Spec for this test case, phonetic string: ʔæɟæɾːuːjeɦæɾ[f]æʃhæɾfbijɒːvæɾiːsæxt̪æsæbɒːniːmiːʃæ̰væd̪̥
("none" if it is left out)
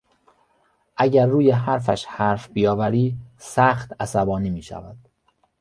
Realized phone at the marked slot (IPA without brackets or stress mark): f